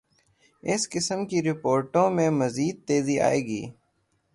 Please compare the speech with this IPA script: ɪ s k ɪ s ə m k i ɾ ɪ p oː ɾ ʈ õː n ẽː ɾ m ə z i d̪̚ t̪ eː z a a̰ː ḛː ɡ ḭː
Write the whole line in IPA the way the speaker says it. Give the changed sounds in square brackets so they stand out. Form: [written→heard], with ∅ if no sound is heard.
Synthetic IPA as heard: ɪ s k ɪ s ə m k i ɾ ɪ p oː ɾ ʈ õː [n→m] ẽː [ɾ→∅] m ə z [i→iː] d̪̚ t̪ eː z [a→i] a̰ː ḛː ɡ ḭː